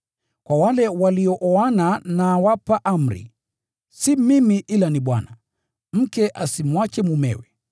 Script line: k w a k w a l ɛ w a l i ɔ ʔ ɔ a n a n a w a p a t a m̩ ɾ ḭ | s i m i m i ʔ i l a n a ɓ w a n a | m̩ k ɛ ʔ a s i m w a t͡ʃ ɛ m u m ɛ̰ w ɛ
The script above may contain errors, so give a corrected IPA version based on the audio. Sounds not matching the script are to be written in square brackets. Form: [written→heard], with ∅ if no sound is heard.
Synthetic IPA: k w a [k→∅] w a l ɛ w a l i ɔ ʔ ɔ a n a n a w a p a [t→ʔ] a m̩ ɾ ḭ | s i m i m i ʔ i l a n [a→i] ɓ w a n a | m̩ k ɛ ʔ a s i m w a t͡ʃ ɛ m u m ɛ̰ w ɛ

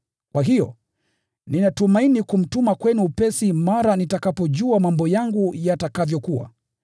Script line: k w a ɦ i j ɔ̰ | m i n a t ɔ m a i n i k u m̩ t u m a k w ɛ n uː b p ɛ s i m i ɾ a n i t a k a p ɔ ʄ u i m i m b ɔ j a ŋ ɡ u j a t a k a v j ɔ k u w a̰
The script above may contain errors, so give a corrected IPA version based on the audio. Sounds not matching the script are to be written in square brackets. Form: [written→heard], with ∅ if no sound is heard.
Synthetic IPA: k w a ɦ i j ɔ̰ | [m→n] i n a t [ɔ→u] m a i n i k u m̩ t u m a k w ɛ n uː [b→∅] p ɛ s i m [i→a] ɾ a n i t a k a p ɔ ʄ u [i→a] m [i→a] m b ɔ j a ŋ ɡ u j a t a k a v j ɔ k u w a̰

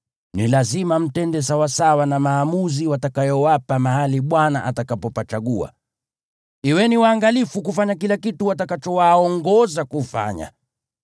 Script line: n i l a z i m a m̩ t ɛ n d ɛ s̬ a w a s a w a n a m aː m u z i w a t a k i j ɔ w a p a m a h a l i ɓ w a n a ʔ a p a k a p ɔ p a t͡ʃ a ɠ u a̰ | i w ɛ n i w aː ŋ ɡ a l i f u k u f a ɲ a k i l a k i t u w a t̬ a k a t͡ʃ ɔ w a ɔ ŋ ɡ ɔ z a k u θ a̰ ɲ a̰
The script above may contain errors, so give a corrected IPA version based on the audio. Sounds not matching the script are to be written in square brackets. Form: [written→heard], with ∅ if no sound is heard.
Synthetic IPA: n i l a z i m a m̩ t ɛ n d ɛ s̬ a w a s a w a n a m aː m u z i w a t a k [i→a] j ɔ w a p a m a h a l i ɓ w a n a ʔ a [p→t] a k a p ɔ p a t͡ʃ a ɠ u a̰ | i w ɛ n i w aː ŋ ɡ a l i f u k u f a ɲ a k i l a k i t u w a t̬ a k a t͡ʃ ɔ w a ɔ ŋ ɡ ɔ z a k u [θ→f] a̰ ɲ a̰

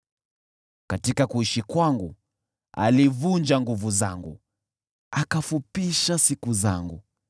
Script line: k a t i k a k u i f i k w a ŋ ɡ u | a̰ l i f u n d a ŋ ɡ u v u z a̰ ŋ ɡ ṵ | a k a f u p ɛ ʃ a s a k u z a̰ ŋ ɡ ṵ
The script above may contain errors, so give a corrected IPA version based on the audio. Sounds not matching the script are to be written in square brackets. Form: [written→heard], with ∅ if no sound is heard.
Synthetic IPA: k a t i k a k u i [f→ʃ] i k w a ŋ ɡ u | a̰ l i [f→v] u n [d→d͡ʒ] a ŋ ɡ u v u z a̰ ŋ ɡ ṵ | a k a f u p [ɛ→i] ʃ a s [a→i] k u z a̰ ŋ ɡ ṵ

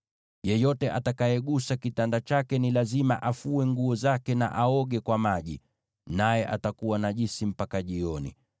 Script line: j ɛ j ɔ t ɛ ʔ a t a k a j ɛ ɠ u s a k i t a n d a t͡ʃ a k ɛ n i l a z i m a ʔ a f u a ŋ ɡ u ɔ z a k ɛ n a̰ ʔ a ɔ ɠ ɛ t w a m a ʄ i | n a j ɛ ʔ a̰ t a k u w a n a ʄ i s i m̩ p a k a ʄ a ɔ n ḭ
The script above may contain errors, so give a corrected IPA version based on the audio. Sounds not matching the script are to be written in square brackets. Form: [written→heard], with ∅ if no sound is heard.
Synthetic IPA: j ɛ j ɔ t ɛ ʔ a t a k a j ɛ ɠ u s a k i t a n d a t͡ʃ a k ɛ n i l a z i m a ʔ a f u [a→ɛ] ŋ ɡ u ɔ z a k ɛ n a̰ ʔ a ɔ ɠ ɛ [t→k] w a m a ʄ i | n a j ɛ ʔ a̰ t a k u w a n a ʄ i s i m̩ p a k a ʄ [a→i] ɔ n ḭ

